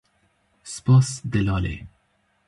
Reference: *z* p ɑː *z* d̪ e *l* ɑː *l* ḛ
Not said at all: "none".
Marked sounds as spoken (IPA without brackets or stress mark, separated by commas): s, s, l, l